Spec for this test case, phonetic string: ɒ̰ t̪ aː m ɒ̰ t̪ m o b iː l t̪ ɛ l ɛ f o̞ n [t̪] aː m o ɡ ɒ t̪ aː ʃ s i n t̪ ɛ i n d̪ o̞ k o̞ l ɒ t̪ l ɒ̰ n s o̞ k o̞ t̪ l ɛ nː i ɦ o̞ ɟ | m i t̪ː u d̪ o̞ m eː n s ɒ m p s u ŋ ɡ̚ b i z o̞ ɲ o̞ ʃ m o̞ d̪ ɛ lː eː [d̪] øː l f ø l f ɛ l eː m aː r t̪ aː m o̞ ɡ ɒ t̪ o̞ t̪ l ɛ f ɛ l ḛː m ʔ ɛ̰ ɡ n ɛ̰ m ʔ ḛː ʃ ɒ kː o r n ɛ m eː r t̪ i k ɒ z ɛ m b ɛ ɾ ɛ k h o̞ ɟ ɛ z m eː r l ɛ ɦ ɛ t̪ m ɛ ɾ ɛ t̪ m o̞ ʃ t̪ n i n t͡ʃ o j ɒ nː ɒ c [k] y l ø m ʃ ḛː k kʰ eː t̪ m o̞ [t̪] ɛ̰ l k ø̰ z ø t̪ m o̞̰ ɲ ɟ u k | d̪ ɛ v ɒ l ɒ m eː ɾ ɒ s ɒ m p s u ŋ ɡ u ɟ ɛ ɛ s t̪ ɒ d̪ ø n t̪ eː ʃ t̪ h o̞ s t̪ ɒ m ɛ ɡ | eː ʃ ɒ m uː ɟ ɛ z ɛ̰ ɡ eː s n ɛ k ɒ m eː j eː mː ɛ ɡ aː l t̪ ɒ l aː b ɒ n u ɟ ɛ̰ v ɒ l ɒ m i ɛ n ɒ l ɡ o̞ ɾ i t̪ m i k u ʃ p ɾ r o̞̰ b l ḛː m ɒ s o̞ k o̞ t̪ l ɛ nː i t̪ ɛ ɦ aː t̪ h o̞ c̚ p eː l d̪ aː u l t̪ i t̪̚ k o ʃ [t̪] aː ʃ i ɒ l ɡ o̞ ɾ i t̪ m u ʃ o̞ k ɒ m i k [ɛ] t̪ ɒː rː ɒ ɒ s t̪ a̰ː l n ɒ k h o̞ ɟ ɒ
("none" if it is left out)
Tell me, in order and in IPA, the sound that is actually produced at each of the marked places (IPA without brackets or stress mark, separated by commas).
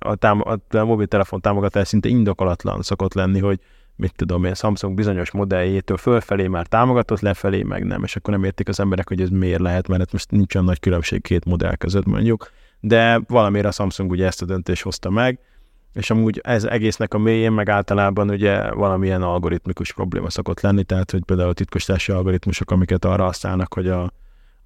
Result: t̪, t̪, k, d̪, t̪, ɛ